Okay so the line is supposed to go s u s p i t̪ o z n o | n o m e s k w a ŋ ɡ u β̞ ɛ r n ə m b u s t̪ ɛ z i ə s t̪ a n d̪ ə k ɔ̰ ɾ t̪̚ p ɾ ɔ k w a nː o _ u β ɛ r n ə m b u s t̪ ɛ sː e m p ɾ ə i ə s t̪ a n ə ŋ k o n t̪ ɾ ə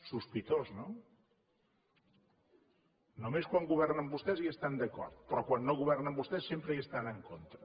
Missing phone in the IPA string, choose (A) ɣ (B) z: A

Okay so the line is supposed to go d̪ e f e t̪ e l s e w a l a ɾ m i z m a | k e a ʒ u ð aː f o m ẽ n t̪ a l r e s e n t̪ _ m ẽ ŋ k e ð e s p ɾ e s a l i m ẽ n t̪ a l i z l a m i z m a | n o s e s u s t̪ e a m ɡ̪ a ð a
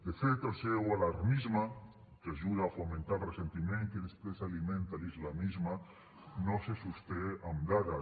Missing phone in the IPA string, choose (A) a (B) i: B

